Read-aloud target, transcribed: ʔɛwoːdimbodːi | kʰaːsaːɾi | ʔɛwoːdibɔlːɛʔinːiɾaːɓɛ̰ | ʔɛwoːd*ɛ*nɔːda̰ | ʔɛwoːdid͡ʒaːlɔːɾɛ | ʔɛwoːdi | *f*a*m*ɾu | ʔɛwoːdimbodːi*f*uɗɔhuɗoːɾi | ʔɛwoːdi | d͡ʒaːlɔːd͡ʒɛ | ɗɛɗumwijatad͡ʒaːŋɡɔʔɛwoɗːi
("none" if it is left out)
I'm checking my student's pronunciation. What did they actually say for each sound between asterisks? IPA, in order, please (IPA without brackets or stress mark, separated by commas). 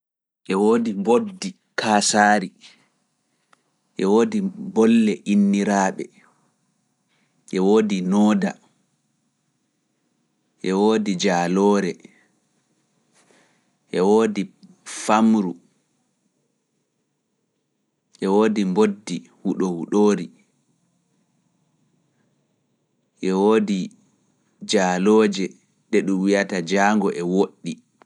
i, f, m, h